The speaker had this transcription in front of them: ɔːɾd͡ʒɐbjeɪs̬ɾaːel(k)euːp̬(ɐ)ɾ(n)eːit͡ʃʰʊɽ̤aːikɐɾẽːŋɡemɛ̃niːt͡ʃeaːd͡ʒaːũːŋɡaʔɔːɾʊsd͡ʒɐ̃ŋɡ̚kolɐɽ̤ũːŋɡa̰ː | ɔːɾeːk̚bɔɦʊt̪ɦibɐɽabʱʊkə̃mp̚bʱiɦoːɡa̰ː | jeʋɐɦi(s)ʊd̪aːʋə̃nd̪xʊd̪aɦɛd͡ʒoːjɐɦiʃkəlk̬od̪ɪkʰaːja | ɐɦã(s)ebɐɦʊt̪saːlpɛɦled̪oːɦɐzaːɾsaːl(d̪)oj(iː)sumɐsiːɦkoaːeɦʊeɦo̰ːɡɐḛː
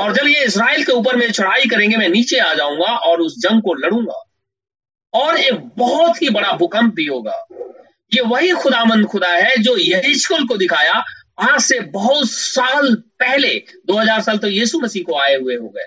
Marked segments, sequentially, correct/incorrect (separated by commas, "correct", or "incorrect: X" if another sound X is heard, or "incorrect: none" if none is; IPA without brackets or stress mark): correct, incorrect: ə, incorrect: m, incorrect: x, correct, incorrect: t̪, correct